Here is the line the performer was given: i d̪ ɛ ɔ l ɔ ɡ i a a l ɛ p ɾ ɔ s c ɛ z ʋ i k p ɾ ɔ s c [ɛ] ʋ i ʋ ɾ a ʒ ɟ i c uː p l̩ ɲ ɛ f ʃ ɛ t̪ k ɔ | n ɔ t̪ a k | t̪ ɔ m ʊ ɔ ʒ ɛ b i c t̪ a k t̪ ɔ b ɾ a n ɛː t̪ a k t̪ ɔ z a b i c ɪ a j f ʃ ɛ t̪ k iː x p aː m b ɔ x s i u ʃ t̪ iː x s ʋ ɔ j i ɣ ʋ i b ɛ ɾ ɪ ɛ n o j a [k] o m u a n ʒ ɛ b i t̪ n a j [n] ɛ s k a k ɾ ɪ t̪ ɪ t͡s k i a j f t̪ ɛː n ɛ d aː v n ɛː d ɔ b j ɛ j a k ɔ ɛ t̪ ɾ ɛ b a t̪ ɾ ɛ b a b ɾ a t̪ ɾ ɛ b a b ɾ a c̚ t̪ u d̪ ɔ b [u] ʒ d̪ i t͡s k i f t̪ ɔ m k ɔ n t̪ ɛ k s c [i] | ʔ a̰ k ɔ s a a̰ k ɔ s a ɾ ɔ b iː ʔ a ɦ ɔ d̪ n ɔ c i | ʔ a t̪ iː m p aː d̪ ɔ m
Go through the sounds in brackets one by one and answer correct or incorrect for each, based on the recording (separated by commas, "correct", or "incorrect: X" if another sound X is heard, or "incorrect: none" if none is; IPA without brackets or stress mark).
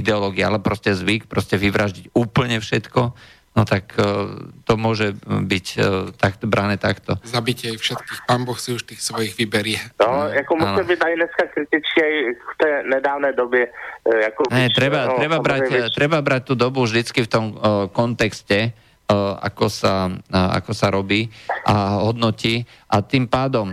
correct, correct, correct, correct, incorrect: ɛ